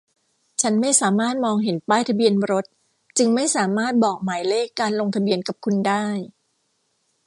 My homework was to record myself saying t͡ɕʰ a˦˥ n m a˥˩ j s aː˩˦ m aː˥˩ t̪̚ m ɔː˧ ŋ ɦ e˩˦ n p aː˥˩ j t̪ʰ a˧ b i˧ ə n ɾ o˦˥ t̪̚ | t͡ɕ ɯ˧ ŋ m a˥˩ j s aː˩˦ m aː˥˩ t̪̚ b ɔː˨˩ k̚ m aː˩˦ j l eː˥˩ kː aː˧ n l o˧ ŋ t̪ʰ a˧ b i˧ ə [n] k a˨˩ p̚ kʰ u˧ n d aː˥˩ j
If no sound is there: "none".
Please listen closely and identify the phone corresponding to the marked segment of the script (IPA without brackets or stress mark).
n